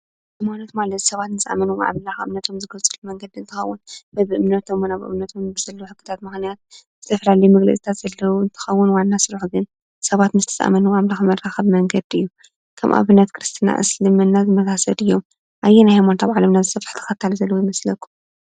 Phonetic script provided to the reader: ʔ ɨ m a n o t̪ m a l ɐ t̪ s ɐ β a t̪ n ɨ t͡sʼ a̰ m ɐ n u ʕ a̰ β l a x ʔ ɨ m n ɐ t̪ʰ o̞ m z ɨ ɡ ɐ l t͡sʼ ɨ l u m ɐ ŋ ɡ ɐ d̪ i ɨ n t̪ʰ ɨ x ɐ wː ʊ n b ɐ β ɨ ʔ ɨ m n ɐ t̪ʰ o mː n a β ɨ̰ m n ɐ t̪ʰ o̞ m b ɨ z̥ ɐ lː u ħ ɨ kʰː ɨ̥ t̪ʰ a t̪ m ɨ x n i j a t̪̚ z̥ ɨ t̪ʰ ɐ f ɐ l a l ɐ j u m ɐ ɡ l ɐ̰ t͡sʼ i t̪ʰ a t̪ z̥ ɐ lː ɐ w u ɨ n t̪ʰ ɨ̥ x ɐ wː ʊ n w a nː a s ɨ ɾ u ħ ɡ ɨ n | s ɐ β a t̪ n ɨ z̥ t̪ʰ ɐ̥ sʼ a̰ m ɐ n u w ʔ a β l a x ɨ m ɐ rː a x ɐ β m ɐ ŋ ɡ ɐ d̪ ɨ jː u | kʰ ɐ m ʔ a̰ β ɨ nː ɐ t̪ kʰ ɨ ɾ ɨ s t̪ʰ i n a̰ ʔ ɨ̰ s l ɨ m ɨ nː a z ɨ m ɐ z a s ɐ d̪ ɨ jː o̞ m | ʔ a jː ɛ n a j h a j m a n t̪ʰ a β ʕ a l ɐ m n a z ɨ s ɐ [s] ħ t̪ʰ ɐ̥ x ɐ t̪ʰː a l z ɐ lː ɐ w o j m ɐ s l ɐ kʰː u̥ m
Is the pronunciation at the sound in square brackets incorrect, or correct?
incorrect